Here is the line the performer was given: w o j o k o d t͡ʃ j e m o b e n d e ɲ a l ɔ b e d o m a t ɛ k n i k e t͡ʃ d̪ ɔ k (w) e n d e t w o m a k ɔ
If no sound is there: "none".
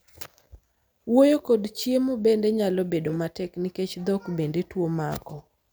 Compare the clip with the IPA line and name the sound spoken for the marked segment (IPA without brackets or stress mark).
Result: b